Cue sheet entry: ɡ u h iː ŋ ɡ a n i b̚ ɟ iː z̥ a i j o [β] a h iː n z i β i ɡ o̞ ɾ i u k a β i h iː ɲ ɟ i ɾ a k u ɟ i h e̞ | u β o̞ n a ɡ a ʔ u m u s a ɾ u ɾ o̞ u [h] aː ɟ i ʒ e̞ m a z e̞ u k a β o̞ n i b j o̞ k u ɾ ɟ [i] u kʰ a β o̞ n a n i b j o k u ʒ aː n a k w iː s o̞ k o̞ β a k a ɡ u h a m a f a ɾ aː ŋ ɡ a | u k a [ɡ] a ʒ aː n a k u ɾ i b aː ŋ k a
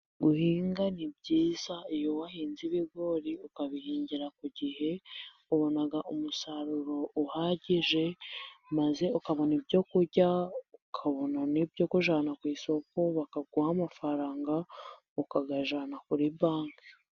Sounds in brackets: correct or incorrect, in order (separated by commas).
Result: incorrect, correct, incorrect, correct